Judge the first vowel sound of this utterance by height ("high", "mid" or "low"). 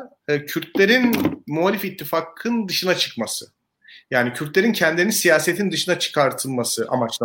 high